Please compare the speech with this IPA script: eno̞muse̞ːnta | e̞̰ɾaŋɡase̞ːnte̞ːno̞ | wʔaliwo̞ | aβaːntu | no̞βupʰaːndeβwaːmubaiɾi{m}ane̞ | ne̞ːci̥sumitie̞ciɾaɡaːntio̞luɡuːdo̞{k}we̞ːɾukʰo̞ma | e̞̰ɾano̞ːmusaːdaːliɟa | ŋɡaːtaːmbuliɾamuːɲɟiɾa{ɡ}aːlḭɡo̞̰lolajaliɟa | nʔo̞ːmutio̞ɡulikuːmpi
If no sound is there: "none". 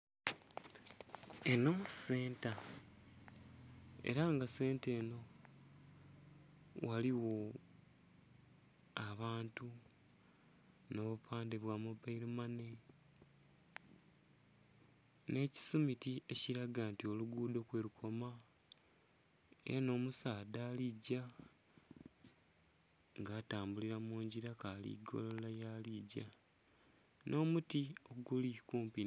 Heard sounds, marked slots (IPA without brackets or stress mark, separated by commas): m, k, k